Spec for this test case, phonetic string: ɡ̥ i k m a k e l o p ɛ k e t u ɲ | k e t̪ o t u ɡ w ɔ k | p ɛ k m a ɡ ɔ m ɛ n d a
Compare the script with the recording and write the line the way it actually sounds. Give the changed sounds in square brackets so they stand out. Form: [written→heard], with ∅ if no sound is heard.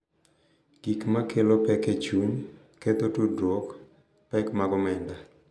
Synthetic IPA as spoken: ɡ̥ i k m a k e l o p ɛ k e [t→t͡ʃ] u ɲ | k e t̪ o t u [ɡ→d] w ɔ k | p ɛ k m a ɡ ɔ m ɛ n d a